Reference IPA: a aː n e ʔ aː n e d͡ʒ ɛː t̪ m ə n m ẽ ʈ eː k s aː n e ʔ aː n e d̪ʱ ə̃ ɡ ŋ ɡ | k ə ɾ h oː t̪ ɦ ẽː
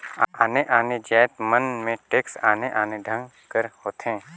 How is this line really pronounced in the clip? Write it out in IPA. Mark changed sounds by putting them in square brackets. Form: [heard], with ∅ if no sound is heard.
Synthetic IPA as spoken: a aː n e ʔ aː n e d͡ʒ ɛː t̪ m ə n m ẽ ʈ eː k s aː n e ʔ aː n e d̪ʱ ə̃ [∅] ŋ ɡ | k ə ɾ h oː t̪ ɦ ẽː